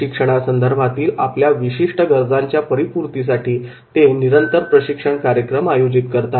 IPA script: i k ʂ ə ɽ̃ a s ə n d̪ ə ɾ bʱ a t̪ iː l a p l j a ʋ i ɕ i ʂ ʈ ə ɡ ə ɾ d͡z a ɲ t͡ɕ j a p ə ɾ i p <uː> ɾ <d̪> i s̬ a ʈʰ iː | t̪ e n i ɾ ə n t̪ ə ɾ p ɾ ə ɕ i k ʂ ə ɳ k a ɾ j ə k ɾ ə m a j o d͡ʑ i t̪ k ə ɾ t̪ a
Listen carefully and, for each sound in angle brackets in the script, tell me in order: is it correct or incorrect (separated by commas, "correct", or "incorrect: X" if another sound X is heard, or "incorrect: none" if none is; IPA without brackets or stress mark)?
incorrect: u, incorrect: t̪